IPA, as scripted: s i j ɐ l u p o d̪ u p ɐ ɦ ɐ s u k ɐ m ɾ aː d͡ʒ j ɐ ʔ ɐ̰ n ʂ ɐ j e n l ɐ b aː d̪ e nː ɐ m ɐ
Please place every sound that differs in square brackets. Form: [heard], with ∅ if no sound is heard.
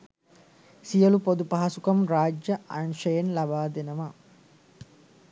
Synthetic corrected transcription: s i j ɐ l u p o d̪ u p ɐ ɦ ɐ s u k ɐ m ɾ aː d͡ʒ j ɐ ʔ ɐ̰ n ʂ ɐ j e n l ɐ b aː d̪ e [n] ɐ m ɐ